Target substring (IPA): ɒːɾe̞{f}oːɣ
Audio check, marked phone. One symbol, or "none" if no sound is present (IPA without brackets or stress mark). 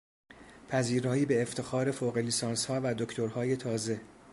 f